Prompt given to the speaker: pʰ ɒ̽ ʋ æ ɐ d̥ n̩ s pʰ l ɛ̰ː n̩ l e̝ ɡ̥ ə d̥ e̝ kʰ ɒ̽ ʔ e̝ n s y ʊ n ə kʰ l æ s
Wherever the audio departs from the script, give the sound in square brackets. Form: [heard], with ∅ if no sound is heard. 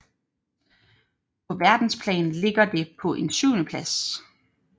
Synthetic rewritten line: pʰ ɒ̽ ʋ æ ɐ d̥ n̩ s pʰ l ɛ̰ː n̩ l e̝ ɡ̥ [ɐ] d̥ e̝ [pʰ] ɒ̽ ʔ e̝ n s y ʊ n ə [pʰ] l æ s